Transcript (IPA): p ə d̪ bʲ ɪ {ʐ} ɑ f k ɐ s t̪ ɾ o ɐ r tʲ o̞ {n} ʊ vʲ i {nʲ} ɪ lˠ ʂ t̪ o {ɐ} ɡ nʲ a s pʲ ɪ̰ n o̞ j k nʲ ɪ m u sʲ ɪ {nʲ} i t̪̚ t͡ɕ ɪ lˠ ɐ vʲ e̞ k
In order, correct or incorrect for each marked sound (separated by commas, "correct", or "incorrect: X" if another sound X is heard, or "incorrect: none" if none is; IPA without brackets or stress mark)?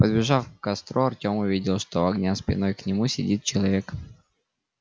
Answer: correct, incorrect: m, incorrect: dʲ, correct, incorrect: dʲ